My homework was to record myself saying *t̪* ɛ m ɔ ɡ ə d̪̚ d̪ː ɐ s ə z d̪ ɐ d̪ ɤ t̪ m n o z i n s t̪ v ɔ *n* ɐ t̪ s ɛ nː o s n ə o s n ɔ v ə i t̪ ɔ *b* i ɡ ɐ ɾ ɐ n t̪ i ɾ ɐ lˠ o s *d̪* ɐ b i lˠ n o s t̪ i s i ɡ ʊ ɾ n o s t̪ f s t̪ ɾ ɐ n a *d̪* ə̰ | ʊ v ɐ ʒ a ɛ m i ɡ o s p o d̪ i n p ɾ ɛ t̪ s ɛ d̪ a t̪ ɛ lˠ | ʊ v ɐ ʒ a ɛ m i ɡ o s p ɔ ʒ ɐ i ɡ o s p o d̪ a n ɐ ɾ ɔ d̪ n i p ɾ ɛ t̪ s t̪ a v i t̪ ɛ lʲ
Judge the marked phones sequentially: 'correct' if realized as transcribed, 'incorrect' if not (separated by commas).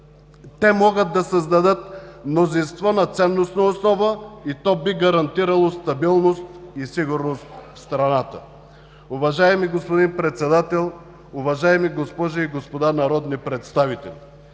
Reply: correct, correct, correct, incorrect, incorrect